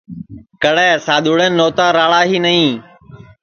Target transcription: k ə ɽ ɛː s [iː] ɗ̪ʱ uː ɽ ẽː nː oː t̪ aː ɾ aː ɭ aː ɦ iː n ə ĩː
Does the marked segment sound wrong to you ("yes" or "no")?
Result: yes